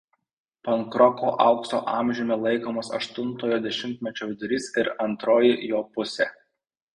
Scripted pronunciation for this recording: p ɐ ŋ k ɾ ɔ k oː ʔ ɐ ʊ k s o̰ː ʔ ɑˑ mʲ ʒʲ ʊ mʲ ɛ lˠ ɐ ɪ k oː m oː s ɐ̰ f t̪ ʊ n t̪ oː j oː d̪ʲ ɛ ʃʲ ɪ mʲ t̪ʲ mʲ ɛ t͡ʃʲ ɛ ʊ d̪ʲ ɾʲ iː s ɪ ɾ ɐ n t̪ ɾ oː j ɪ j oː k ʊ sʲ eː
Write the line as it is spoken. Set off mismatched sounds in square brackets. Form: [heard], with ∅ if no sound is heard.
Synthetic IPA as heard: p ɐ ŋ k ɾ ɔ k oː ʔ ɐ ʊ k s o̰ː ʔ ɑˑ mʲ ʒʲ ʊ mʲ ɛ lˠ ɐ ɪ k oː m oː s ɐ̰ [ʃ] t̪ ʊ n t̪ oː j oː d̪ʲ ɛ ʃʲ ɪ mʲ t̪ʲ mʲ ɛ t͡ʃʲ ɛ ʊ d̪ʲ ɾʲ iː s ɪ ɾ ɐ n t̪ ɾ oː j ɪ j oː [p] ʊ sʲ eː